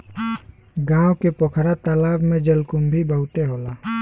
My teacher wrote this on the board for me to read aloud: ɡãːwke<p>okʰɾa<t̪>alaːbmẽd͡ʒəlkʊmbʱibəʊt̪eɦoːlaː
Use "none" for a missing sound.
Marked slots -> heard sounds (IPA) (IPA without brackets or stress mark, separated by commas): p, t̪